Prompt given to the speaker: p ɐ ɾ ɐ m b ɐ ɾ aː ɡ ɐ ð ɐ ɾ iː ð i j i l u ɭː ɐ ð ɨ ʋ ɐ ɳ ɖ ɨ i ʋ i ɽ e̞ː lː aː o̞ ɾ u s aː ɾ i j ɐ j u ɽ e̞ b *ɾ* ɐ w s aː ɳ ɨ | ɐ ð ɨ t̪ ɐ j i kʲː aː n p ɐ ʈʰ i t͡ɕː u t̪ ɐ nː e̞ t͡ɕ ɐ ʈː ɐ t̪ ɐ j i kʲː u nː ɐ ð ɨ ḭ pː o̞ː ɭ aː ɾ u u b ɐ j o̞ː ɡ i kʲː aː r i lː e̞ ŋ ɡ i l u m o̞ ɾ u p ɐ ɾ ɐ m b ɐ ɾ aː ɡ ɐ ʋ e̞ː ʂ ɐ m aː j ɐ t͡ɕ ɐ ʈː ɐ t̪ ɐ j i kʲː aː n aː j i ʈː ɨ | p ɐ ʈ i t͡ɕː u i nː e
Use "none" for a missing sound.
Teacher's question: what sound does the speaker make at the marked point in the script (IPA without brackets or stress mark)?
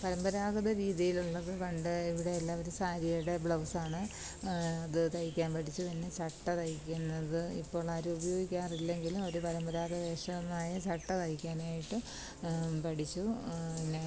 ɭ